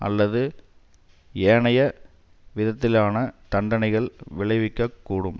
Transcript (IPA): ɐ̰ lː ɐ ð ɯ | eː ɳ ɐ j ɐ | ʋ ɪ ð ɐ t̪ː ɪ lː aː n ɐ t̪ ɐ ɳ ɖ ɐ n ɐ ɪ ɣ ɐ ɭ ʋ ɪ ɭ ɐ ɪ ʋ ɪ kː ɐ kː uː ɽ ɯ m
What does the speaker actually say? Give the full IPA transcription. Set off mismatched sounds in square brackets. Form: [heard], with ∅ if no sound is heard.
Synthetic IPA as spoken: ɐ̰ lː ɐ ð ɯ | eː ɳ ɐ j ɐ | ʋ ɪ ð ɐ t̪ː ɪ [l] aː n ɐ t̪ ɐ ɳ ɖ ɐ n ɐ ɪ ɣ ɐ ɭ ʋ ɪ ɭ ɐ ɪ ʋ ɪ kː ɐ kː uː ɽ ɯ m